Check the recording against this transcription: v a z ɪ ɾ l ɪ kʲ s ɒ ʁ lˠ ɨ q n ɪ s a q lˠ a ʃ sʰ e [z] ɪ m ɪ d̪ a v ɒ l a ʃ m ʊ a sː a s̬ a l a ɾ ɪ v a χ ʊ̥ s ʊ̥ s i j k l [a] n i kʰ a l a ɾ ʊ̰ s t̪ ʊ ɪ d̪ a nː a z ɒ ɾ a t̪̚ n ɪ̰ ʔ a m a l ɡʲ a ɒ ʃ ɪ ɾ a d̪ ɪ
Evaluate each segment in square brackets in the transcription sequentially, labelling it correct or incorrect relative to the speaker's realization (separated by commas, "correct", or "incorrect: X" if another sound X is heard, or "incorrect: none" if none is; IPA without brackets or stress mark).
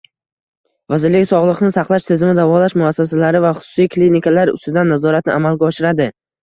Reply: correct, incorrect: i